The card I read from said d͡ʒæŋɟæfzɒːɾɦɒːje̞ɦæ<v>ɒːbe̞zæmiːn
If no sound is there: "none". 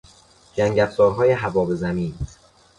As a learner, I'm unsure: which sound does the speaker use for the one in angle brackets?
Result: v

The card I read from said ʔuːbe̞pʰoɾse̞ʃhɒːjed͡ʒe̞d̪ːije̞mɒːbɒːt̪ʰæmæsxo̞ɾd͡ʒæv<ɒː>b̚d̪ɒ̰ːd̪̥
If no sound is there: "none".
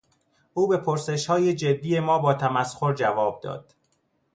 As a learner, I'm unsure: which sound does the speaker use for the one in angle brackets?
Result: ɒː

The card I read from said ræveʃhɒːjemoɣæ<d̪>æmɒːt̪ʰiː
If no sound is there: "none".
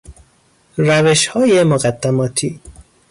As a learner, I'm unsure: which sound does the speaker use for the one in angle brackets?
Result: d̪ː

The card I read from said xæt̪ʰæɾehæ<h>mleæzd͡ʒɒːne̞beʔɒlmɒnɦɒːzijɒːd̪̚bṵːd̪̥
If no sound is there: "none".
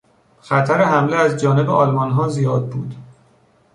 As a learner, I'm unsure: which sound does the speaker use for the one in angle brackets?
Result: none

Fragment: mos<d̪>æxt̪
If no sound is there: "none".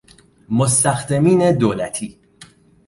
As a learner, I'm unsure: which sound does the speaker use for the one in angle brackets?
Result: t̪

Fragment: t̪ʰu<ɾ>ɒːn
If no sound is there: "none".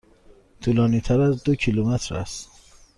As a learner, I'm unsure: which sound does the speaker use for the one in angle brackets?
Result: l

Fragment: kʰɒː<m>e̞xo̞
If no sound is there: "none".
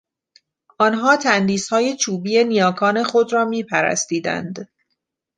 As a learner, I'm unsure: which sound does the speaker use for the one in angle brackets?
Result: n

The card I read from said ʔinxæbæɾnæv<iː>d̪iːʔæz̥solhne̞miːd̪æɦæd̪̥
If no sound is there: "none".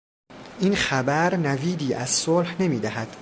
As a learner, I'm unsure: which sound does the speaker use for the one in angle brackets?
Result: iː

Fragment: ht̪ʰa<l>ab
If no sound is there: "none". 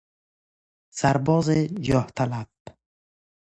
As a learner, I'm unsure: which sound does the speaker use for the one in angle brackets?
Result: l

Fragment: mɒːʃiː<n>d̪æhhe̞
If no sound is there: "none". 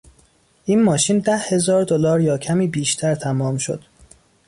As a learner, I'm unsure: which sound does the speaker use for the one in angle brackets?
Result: n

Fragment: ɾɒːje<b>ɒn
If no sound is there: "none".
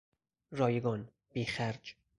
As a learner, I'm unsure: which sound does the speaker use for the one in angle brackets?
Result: ɡ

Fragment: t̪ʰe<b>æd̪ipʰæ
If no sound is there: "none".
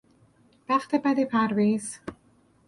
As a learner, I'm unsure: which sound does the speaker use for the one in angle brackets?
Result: b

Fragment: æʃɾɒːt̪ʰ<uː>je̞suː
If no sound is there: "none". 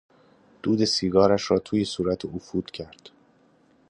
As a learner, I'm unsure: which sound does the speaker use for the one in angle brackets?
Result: uː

